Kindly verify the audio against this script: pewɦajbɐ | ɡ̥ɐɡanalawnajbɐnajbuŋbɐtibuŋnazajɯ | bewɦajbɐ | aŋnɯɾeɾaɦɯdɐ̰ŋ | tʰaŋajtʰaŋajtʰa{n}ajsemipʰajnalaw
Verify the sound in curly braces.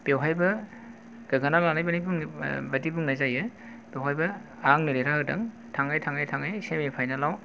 incorrect: ŋ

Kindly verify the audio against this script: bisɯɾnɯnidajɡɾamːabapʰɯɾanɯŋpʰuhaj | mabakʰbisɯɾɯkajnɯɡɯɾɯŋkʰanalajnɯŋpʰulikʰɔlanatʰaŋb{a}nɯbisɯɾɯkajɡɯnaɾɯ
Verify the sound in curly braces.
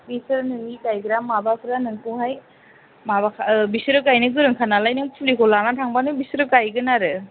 correct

